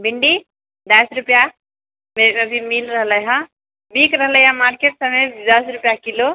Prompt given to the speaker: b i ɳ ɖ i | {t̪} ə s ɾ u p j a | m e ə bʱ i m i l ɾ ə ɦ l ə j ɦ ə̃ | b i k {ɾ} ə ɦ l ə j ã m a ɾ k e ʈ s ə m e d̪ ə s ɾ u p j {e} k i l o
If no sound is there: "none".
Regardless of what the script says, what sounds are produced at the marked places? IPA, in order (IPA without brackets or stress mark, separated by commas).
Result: d̪, ɾ, a